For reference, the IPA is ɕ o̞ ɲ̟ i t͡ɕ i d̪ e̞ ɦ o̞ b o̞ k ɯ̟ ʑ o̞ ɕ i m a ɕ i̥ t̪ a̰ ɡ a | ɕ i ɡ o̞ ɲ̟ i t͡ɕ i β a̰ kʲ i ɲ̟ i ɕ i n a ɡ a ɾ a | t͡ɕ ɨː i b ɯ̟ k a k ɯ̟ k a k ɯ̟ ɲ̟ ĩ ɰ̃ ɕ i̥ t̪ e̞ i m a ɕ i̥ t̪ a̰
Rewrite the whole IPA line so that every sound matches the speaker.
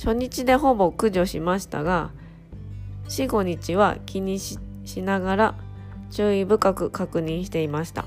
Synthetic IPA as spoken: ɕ o̞ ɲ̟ i t͡ɕ i d̪ e̞ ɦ o̞ b o̞ k ɯ̟ ʑ o̞ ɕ i m a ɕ i̥ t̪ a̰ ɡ a | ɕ i ɡ o̞ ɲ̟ i t͡ɕ i β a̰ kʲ i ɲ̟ i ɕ i n a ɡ a ɾ a | t͡ɕ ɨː i b ɯ̟ k a k ɯ̟ k a k ɯ̟ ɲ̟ ĩ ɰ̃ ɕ i̥ t̪ e̞ i m a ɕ i̥ t̪ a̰